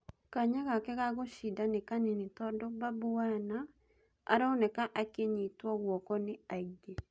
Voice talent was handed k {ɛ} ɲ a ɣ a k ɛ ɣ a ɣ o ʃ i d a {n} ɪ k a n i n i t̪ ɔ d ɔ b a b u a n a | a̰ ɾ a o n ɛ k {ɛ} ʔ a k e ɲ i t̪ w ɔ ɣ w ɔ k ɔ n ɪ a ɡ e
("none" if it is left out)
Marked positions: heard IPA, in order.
a, n, a

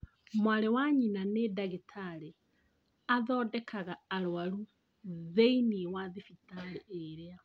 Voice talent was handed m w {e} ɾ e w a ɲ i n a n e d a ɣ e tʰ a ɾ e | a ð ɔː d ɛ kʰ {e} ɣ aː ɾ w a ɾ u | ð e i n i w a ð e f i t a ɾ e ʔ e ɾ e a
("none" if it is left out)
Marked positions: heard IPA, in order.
a, a

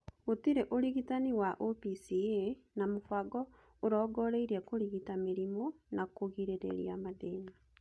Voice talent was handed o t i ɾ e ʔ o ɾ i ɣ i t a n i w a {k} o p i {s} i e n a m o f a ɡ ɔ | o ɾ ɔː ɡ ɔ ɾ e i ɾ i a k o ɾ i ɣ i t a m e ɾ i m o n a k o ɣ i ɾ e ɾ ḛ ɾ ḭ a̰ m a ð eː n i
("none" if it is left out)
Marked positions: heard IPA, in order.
ʔ, s

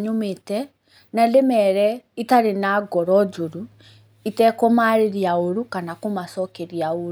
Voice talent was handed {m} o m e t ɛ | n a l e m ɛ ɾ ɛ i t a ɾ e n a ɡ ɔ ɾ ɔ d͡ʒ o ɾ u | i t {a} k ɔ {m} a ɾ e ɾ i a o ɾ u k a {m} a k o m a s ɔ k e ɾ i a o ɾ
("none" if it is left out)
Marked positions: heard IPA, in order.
ɲ, ɛ, m, n

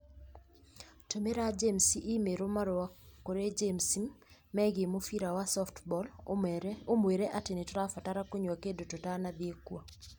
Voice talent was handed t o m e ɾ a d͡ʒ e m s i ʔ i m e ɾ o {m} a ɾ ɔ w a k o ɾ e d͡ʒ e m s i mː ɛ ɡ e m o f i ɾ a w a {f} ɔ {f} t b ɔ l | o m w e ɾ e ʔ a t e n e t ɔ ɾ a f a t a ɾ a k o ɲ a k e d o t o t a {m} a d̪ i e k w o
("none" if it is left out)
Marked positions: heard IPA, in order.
m, s, f, n

